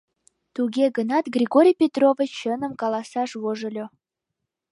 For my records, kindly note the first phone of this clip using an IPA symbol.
t̪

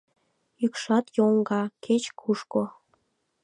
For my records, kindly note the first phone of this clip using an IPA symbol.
y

